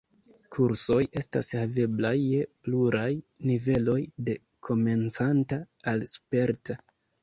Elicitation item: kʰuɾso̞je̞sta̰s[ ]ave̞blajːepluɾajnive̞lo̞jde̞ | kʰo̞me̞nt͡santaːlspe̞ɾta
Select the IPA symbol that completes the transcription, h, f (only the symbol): h